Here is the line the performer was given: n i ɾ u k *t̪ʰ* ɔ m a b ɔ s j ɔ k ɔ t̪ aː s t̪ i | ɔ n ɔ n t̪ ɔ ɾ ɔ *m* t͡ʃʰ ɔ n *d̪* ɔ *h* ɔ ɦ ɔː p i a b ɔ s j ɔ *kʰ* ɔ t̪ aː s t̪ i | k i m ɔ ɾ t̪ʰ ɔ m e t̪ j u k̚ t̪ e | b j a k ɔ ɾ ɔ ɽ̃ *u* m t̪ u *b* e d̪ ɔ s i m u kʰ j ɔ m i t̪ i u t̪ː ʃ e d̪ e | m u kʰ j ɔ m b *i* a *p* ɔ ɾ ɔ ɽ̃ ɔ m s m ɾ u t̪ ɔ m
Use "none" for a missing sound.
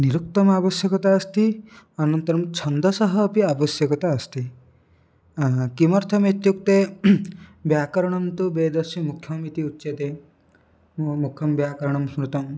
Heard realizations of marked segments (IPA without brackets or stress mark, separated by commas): t̪, m, d̪, s, k, ɔ, b, j, k